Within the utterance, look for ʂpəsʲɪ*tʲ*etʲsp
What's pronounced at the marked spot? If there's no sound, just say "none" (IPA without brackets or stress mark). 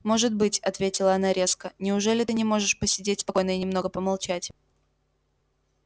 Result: dʲ